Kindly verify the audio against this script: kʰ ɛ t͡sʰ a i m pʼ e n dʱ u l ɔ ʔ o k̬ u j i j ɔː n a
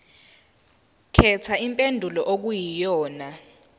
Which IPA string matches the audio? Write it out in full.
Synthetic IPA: kʰ ɛ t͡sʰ a i m pʼ e n dʱ u l ɔ ʔ o k̬ u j i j ɔː n a

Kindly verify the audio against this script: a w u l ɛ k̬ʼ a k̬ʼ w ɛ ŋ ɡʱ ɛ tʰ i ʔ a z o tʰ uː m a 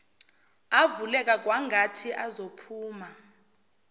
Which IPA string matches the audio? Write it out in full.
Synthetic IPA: a v u l ɛ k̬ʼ a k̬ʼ w a ŋ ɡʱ a tʰ i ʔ a z o pʰ uː m a

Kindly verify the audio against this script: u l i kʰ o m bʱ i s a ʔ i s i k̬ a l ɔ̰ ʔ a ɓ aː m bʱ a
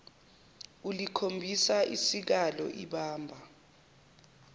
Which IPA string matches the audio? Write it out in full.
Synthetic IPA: u l i kʰ o m bʱ i s a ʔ i s i k̬ a l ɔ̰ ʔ i ɓ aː m bʱ a

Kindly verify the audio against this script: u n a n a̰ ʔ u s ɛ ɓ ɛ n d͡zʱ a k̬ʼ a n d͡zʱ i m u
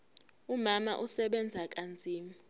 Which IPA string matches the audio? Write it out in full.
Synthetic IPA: u m a m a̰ ʔ u s ɛ ɓ ɛ n d͡zʱ a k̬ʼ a n d͡zʱ iː m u

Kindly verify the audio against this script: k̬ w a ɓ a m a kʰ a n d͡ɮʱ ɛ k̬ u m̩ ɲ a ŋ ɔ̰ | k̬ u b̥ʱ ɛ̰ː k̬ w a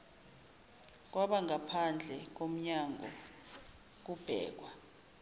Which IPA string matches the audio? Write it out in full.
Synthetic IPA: k̬ w a ɓ a ŋ a pʰ a n d͡ɮʱ ɛ k̬ o m̩ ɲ a ŋ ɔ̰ | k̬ u b̥ʱ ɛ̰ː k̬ w a

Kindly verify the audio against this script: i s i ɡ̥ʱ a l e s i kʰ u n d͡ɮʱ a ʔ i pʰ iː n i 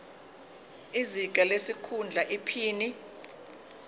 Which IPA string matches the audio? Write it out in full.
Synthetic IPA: i z i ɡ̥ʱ a l e s i kʰ u n d͡ɮʱ a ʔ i pʰ iː n i

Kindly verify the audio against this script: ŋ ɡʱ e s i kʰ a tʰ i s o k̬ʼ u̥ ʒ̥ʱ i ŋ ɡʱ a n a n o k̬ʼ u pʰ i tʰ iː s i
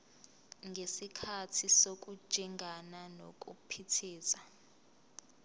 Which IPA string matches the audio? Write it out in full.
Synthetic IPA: ŋ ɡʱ e s i kʰ a tʰ i s o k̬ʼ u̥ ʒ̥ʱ i ŋ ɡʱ a n a n o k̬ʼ u pʰ i tʰ iː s a

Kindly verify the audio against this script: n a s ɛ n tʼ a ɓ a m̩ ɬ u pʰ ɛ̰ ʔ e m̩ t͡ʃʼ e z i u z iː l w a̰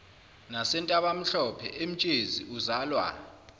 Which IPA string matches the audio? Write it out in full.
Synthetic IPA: n a s ɛ n tʼ a ɓ a m̩ ɬ ɔ pʰ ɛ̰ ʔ e m̩ t͡ʃʼ e z i u z aː l w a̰

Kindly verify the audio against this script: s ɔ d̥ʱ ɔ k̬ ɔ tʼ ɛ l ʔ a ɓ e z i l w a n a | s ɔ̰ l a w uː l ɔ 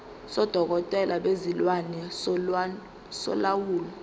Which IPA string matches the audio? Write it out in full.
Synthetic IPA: s ɔ d̥ʱ ɔ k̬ ɔ tʼ ɛ l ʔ a ɓ e z i l w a n ɛ | s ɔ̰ l a w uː l ɔ

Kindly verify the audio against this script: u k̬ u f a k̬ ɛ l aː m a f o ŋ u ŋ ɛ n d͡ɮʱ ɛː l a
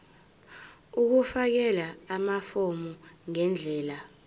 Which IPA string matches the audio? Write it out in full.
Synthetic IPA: u k̬ u f a k̬ ɛ l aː m a f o m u ŋ ɛ n d͡ɮʱ ɛː l a

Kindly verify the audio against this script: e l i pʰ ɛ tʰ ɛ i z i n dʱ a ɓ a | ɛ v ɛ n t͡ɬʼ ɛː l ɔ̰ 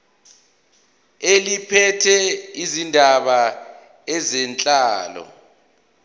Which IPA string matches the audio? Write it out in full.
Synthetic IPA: e l i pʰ ɛ tʰ ɛ i z i n dʱ a ɓ a | ɛ z ɛ n t͡ɬʼ aː l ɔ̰

